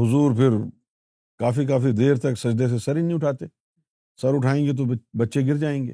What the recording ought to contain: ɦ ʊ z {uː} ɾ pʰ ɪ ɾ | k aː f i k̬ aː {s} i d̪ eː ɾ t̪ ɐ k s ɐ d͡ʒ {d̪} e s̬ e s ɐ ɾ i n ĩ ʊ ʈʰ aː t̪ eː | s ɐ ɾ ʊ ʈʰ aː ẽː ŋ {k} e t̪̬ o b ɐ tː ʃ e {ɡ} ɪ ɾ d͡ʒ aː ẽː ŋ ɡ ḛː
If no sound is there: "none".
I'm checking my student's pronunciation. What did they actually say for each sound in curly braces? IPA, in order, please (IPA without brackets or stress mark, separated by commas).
uː, f, d̪, ɡ, ɡ